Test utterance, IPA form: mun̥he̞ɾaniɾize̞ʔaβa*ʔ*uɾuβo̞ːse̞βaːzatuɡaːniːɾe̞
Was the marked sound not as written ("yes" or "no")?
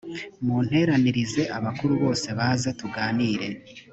yes